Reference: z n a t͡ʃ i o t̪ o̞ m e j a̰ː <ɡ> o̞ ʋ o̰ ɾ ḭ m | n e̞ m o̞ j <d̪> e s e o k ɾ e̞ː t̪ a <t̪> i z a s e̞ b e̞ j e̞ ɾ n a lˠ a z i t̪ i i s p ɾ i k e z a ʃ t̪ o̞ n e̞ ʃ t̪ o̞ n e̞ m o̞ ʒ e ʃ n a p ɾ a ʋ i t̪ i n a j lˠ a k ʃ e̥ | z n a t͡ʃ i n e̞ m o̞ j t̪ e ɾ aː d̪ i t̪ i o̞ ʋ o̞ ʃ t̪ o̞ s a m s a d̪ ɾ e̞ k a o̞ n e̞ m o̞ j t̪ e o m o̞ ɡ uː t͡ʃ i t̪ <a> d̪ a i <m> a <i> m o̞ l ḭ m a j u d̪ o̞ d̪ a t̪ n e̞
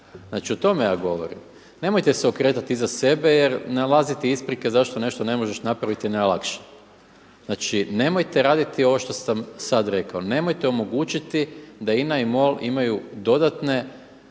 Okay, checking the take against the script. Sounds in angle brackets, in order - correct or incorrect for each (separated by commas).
correct, incorrect, correct, incorrect, incorrect, correct